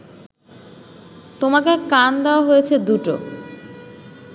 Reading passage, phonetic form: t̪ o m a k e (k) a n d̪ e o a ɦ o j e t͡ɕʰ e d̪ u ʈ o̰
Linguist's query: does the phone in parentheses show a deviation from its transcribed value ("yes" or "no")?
no